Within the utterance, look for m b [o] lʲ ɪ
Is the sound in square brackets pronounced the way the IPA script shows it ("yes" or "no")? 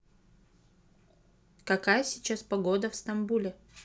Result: no